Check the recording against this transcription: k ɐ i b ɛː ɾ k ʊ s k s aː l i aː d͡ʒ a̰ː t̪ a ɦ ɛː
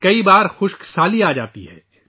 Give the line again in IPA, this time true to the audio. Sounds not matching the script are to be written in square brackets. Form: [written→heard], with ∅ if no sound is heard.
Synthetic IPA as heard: k ɐ i b [ɛː→aː] ɾ [k→x] ʊ [s→ʃ] k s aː l i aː d͡ʒ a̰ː t̪ [a→i] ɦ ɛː